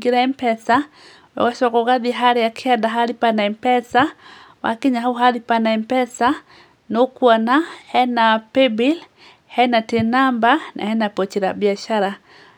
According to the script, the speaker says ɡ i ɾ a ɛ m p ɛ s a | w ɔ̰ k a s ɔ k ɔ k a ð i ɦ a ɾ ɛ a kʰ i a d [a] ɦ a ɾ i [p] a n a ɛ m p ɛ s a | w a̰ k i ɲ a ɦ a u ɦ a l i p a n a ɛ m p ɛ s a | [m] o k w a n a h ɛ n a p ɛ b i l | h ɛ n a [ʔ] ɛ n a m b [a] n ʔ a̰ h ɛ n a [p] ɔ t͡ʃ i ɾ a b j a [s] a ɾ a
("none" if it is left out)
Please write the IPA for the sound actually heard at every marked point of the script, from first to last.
a, p, n, t, a, p, ʃ

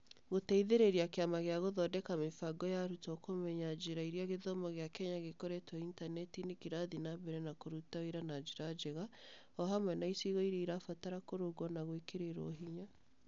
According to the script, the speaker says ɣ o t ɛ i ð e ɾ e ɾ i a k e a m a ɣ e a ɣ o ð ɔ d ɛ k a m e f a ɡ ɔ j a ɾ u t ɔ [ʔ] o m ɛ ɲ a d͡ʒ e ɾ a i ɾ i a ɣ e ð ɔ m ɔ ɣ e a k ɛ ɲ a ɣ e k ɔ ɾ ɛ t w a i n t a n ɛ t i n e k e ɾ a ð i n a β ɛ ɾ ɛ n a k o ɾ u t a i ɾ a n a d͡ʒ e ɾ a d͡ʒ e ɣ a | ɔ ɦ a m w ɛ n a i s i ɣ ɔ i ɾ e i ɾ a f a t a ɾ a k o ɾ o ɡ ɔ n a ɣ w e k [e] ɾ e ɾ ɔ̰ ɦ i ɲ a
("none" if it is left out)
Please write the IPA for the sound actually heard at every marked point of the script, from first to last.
k, e

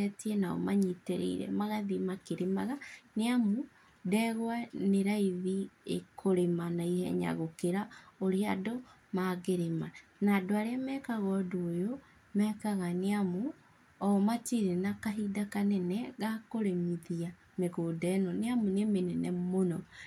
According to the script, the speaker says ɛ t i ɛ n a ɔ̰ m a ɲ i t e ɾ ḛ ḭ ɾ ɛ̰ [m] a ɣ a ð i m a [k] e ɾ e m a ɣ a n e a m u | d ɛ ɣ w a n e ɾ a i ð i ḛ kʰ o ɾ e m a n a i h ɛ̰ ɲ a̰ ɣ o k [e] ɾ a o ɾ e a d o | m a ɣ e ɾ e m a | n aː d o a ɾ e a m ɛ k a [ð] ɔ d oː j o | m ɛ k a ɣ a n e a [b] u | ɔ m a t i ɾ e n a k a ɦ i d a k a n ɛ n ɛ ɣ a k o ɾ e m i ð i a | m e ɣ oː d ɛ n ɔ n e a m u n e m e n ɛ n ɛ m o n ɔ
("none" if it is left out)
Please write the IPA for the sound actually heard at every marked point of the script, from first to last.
m, k, e, ɣ, m

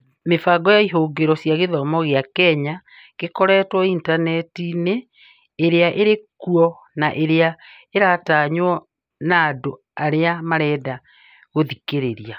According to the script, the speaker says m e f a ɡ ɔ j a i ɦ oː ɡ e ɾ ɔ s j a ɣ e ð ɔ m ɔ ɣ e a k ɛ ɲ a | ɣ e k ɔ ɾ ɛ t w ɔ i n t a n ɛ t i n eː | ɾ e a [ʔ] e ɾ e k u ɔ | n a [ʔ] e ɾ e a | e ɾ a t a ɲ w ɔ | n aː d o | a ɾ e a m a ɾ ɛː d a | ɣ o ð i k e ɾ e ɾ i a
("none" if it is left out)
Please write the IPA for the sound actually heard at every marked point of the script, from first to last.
ʔ, ʔ

